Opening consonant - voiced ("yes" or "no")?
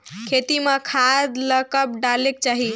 no